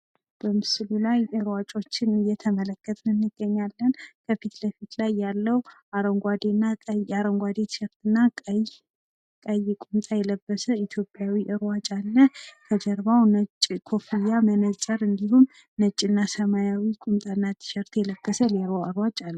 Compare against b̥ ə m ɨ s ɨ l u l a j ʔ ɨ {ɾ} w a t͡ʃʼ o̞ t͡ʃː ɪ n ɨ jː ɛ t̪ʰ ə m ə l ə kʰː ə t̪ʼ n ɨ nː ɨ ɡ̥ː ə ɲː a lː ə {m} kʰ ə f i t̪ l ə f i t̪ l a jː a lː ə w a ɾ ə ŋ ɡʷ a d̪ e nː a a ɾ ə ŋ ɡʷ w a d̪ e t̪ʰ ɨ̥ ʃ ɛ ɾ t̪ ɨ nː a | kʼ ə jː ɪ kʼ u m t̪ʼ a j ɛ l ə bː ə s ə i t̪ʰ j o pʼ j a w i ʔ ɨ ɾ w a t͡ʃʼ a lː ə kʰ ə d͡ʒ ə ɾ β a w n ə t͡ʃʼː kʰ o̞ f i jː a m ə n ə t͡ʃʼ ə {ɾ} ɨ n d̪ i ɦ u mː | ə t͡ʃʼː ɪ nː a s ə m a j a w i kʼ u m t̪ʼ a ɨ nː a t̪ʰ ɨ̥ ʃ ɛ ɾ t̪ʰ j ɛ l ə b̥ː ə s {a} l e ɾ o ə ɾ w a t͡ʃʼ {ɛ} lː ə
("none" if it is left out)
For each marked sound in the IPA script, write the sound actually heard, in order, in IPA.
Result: ɾ, n, ɾ, ə, a

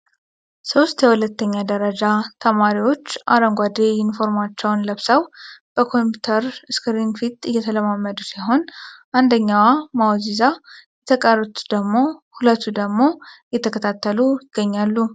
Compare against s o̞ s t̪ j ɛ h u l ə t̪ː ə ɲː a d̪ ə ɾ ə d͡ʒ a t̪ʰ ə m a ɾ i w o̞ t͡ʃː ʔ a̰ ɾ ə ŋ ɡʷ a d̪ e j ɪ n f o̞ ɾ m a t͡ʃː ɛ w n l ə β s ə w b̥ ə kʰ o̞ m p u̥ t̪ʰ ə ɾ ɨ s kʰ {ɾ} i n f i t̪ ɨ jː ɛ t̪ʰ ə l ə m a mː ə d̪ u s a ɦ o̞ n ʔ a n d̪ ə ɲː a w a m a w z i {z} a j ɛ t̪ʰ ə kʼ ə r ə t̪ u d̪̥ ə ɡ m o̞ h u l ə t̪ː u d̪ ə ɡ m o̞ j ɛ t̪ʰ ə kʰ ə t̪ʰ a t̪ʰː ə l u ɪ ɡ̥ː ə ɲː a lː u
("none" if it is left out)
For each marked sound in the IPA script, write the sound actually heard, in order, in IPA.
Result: ɾ, z

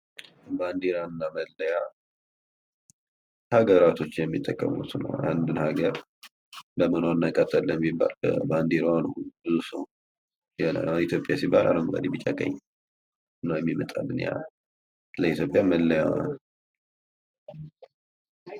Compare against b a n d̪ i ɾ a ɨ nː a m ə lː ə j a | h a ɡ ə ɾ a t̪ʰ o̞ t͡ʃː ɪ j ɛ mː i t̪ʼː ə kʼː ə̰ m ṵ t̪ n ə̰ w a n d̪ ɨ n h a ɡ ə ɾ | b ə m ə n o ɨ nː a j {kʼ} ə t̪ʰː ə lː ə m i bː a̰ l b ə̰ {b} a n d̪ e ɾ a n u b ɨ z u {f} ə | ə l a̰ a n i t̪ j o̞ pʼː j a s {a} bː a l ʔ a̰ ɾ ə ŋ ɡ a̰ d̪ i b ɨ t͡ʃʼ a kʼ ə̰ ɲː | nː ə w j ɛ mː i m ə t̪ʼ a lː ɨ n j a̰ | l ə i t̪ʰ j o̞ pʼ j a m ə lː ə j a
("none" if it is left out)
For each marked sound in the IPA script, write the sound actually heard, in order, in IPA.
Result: kʼ, b, s, i

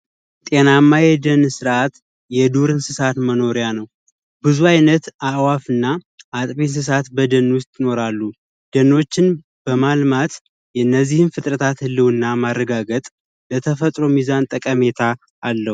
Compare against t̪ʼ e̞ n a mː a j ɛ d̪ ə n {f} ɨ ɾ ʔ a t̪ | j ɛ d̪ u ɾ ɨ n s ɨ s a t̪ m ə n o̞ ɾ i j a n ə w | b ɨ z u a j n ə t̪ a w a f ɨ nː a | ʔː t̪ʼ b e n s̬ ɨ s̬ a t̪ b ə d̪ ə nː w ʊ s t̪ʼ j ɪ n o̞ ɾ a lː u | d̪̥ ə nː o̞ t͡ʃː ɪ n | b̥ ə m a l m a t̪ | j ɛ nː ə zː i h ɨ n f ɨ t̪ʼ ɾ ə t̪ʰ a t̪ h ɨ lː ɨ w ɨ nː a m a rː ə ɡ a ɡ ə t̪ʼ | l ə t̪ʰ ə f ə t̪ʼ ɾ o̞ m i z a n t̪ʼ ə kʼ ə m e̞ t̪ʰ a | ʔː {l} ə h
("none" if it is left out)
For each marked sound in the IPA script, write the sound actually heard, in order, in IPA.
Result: s, lː

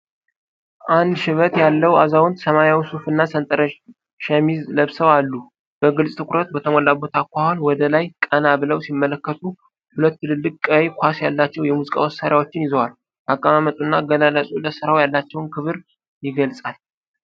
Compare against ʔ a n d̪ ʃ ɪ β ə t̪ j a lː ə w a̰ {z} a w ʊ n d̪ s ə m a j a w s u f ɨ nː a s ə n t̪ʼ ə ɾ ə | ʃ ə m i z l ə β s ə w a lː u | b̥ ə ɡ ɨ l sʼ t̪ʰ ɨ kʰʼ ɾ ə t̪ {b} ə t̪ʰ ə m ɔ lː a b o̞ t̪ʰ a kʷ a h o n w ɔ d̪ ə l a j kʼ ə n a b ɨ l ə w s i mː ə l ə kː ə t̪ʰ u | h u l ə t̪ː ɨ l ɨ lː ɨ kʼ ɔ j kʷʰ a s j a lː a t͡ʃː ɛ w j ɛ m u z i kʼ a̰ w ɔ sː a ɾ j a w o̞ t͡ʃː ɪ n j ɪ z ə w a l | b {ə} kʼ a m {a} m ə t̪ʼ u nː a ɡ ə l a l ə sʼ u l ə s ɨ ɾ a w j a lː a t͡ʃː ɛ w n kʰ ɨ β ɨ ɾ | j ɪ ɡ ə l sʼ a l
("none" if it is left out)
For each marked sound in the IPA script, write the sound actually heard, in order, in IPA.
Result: z, b, a, a

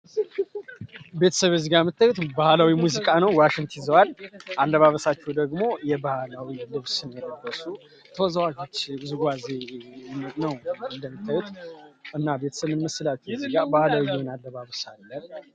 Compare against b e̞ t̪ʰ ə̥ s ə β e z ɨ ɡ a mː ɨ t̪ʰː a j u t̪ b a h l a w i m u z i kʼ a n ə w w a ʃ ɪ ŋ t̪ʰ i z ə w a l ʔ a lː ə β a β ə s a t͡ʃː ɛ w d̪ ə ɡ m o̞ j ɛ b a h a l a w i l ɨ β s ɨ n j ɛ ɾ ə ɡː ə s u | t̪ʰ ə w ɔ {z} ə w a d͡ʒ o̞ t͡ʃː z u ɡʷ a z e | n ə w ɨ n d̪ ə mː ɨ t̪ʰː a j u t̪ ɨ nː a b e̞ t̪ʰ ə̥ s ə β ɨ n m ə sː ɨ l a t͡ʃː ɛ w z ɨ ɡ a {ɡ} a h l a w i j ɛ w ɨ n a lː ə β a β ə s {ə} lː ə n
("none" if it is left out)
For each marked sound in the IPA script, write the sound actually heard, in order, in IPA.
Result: z, b, a

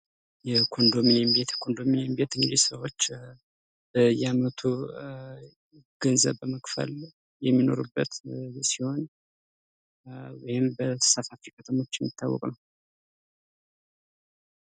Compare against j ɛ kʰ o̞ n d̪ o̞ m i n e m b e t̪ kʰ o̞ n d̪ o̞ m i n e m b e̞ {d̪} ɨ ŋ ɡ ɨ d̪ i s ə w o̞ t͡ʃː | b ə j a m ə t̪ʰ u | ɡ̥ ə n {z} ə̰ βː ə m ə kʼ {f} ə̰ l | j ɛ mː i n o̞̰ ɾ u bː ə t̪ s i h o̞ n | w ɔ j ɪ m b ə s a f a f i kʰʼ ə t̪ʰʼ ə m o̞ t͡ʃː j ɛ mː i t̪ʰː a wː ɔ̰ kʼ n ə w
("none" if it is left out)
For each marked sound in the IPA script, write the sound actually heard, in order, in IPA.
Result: t̪, z, f

